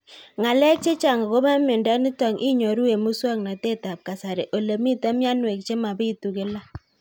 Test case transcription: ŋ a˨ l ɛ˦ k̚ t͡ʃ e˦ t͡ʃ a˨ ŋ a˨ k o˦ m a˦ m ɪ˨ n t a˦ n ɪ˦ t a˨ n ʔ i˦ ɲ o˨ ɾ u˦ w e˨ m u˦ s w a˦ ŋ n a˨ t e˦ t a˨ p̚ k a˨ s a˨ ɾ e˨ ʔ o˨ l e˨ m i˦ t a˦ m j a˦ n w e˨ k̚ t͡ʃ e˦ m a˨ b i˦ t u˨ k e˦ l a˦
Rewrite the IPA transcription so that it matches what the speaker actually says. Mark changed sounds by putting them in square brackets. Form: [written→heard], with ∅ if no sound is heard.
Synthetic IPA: ŋ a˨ l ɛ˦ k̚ t͡ʃ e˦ t͡ʃ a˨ ŋ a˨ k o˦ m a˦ m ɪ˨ n [t→d] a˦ n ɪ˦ t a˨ [n→ŋ] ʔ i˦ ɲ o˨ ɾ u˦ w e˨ m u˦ s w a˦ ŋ n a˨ t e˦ t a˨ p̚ k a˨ s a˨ ɾ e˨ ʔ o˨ l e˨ m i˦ t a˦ m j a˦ n w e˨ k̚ t͡ʃ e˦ m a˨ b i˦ t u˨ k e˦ l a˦